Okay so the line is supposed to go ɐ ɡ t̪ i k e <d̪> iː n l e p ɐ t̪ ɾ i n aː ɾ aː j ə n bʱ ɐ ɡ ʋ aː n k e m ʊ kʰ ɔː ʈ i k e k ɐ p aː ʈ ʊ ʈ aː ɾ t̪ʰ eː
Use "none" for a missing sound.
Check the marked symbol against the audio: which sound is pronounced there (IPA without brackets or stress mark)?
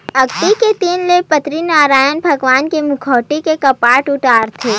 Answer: t̪